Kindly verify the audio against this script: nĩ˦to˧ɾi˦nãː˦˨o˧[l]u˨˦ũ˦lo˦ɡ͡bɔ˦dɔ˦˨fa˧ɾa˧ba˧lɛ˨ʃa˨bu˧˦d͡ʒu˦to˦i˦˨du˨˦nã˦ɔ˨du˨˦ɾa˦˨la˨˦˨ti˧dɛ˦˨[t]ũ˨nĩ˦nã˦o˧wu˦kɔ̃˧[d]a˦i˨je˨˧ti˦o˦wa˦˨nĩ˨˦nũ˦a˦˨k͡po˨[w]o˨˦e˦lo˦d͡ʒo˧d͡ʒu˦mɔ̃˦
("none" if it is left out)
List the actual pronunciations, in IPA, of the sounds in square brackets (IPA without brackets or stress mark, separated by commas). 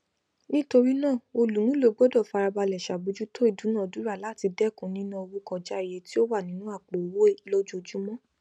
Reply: l, k, d͡ʒ, w